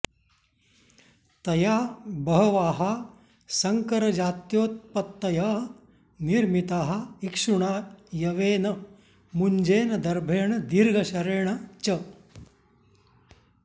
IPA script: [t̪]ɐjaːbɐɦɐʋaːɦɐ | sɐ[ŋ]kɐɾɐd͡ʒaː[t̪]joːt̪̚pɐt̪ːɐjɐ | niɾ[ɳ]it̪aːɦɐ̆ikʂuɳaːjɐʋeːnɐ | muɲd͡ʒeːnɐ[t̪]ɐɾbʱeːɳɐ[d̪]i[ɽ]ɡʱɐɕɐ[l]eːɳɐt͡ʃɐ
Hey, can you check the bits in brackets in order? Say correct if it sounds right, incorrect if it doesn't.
correct, correct, correct, incorrect, incorrect, correct, incorrect, incorrect

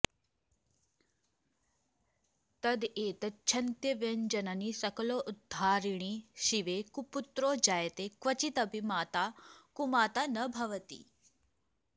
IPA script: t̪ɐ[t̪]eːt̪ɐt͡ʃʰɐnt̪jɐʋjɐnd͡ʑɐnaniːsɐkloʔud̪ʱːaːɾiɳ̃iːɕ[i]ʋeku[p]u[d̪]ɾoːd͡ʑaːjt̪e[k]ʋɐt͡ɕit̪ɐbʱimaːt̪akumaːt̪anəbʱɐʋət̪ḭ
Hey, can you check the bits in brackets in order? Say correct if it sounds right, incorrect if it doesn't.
incorrect, correct, correct, incorrect, correct

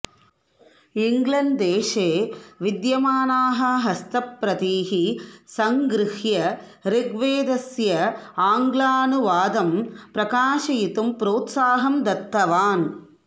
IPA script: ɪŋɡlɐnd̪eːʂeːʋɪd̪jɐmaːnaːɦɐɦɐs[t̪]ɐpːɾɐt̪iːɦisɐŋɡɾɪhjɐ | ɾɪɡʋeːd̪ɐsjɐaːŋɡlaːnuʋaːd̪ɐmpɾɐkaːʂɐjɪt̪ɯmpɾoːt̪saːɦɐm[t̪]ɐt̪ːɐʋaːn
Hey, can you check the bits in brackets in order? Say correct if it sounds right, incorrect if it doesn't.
correct, incorrect

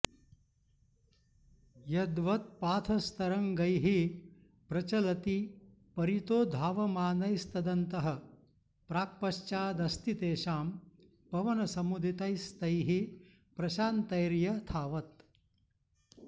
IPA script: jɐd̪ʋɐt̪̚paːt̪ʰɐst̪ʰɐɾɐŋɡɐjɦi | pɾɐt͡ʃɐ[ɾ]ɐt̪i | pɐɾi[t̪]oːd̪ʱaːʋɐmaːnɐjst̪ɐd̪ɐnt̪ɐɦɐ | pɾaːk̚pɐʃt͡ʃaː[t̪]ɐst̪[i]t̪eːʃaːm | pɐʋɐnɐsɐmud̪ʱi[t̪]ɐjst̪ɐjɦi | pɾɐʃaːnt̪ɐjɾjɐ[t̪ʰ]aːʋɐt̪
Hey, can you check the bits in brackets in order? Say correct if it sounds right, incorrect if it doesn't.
incorrect, correct, incorrect, correct, correct, correct

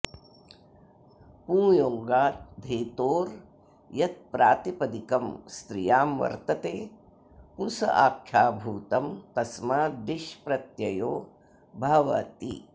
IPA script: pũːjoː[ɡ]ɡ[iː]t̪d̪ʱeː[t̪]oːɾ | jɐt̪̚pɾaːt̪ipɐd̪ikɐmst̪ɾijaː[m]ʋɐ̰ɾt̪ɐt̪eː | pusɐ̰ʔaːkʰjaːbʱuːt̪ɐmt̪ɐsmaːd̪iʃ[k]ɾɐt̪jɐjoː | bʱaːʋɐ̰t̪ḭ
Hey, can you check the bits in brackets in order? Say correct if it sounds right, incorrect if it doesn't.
incorrect, incorrect, correct, correct, incorrect

